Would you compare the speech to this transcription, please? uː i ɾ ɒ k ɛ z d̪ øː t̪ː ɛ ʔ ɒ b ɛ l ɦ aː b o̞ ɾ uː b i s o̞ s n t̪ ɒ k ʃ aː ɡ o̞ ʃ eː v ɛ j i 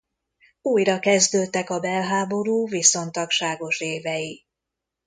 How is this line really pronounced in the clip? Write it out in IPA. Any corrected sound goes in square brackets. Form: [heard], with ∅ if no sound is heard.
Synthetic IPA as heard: uː [j] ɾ ɒ k ɛ z d̪ øː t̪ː ɛ [k] ɒ b ɛ l ɦ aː b o̞ ɾ uː [v] i s o̞ [∅] n t̪ ɒ k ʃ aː ɡ o̞ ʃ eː v ɛ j i